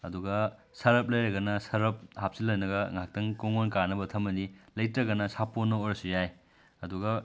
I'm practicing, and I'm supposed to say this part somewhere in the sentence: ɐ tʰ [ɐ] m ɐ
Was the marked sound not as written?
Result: no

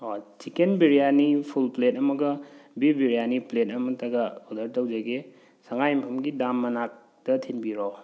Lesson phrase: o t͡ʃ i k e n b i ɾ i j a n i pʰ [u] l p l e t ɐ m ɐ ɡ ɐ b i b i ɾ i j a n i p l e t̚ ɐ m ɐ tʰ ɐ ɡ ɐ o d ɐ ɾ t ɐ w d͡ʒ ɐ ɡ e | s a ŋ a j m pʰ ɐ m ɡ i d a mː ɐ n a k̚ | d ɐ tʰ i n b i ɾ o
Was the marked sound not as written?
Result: no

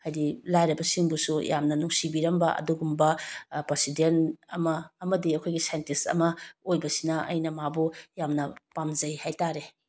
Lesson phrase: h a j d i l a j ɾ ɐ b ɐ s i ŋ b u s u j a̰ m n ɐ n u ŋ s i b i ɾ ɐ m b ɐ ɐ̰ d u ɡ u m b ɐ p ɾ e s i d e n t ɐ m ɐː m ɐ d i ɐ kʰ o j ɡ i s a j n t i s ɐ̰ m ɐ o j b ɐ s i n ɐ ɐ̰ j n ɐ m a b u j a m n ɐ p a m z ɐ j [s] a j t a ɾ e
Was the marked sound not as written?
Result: yes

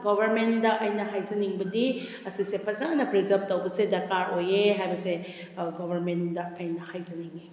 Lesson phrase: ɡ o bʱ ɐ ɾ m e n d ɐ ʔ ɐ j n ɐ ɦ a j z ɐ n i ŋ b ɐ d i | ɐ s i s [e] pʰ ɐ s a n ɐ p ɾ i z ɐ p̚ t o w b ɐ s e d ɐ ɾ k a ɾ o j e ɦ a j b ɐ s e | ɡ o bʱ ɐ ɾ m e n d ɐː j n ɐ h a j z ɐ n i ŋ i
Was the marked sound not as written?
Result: no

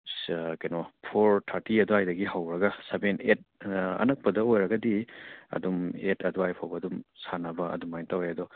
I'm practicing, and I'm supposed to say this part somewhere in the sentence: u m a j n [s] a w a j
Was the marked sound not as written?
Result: yes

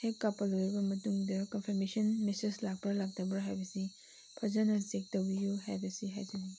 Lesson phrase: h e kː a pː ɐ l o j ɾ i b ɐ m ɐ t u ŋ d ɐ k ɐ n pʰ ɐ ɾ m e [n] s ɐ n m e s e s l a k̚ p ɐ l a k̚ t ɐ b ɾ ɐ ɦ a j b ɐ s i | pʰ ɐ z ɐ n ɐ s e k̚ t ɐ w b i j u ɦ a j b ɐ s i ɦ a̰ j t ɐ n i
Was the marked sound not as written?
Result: yes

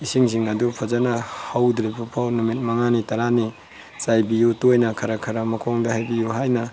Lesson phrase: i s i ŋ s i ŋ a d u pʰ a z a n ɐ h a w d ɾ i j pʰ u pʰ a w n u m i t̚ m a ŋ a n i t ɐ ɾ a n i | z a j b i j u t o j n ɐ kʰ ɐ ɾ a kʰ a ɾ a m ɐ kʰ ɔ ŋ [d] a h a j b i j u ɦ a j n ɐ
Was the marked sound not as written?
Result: no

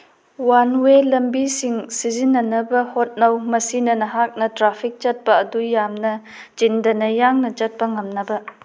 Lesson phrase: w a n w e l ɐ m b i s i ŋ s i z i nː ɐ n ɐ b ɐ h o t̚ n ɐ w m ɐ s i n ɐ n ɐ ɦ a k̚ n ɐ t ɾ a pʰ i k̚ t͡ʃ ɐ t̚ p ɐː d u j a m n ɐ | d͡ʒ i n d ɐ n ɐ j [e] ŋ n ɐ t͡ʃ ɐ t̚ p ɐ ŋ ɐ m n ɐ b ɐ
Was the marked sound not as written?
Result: yes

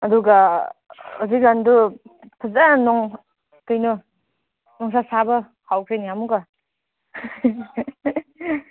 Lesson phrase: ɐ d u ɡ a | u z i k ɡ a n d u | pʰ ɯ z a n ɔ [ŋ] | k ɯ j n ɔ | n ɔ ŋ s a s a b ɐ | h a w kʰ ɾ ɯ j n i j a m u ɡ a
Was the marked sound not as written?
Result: no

